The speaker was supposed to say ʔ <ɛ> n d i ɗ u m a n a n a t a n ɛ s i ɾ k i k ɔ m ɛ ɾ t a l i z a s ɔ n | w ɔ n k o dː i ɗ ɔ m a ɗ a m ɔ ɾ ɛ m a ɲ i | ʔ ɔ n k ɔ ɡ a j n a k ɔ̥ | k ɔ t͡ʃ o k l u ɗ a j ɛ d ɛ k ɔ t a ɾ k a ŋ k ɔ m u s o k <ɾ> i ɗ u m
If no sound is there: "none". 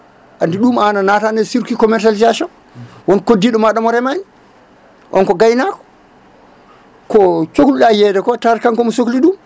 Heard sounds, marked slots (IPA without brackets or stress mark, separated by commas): a, l